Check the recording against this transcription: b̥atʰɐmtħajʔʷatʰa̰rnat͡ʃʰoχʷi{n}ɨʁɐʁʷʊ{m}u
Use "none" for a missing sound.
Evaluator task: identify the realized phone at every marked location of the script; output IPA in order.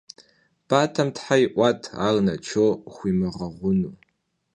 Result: m, n

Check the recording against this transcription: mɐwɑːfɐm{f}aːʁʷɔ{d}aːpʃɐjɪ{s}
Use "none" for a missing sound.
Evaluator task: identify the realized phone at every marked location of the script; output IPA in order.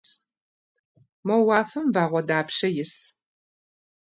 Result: v, d, s

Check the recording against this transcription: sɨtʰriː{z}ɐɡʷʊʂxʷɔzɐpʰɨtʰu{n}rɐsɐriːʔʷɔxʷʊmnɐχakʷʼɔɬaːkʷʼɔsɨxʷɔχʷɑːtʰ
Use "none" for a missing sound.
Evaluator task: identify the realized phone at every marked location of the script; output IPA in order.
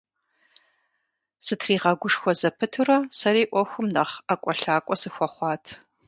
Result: ʁ, none

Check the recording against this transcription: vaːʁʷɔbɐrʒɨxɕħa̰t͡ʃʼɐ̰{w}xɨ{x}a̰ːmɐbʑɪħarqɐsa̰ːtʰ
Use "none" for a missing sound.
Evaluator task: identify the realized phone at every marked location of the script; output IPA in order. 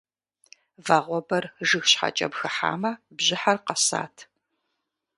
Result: b, ħ

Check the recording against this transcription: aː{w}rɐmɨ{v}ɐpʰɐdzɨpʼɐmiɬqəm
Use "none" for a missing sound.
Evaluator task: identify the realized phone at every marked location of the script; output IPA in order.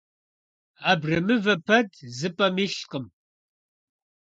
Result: b, v

